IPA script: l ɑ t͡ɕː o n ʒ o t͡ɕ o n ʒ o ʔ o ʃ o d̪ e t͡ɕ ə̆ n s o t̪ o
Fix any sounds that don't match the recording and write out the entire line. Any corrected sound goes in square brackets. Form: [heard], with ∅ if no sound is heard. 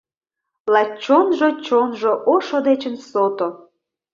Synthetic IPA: l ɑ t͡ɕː o n ʒ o t͡ɕ o n ʒ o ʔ o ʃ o d̪ e t͡ɕ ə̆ n s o t̪ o